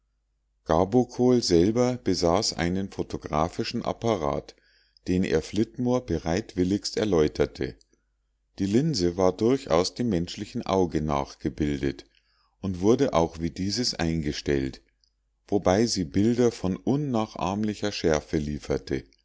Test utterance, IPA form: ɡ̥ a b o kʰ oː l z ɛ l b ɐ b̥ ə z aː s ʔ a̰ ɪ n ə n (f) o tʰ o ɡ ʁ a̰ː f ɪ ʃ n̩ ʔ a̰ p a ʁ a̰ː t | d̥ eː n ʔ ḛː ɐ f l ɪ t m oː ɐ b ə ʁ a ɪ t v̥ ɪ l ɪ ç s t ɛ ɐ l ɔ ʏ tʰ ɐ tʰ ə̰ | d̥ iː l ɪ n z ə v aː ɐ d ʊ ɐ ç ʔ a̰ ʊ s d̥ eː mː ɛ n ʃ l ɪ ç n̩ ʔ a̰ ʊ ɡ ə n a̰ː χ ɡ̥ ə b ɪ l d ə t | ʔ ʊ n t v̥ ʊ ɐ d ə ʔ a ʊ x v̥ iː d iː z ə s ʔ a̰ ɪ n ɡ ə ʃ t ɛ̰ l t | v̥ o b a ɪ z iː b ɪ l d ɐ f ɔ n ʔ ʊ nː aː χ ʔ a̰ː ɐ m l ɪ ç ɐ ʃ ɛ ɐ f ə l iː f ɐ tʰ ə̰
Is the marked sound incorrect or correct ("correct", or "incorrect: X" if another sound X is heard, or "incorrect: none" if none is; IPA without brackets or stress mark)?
correct